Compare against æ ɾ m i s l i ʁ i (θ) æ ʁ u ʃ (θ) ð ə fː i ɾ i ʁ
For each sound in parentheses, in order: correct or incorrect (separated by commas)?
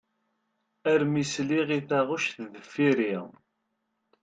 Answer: correct, correct